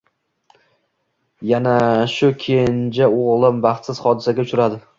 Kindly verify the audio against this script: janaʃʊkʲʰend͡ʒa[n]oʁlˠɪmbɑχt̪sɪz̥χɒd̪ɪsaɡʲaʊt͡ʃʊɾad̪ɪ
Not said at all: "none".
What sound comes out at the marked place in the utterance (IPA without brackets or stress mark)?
none